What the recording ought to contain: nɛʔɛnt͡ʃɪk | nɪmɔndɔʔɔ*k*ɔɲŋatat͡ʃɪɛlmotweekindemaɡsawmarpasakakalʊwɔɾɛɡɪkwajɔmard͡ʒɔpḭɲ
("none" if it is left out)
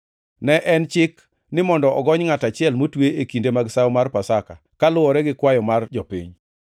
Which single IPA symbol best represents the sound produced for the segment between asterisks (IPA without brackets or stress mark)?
ɡ